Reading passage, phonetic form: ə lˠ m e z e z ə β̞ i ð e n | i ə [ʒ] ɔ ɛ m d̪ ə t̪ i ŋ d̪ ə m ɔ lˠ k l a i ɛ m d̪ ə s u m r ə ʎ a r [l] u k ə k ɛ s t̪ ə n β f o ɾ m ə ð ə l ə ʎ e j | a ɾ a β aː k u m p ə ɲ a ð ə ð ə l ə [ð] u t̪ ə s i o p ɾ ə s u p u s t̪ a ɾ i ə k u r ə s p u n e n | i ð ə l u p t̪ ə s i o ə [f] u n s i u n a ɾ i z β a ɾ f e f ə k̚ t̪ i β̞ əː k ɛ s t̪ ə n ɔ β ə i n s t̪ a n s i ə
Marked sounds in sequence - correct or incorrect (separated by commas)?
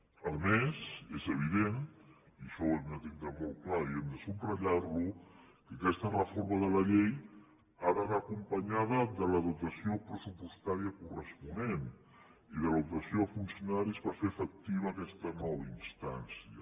incorrect, correct, correct, correct